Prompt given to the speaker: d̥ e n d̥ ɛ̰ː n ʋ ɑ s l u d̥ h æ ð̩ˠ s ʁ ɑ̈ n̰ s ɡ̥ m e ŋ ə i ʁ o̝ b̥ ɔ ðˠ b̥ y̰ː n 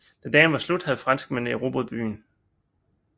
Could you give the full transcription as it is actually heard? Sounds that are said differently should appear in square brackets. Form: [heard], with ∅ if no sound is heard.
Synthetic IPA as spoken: d̥ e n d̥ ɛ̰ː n ʋ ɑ s l u d̥ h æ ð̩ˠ [f] ʁ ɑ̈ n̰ s ɡ̥ m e [n] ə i ʁ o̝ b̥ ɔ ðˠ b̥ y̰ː n